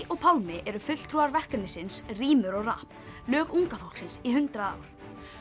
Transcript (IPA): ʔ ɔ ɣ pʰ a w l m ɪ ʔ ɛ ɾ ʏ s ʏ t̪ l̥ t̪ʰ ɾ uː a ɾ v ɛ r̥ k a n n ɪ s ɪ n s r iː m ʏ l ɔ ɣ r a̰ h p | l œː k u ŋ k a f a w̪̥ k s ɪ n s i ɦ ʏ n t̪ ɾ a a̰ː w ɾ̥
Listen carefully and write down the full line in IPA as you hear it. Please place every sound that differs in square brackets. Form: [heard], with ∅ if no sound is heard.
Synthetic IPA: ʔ ɔ ɣ pʰ a w l m ɪ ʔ ɛ ɾ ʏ [f] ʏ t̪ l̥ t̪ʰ ɾ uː a ɾ v ɛ r̥ k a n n ɪ s ɪ n s r iː m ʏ [ɾ] ɔ ɣ r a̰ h p | l œː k u ŋ k a f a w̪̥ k s ɪ n s i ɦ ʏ n t̪ ɾ a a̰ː w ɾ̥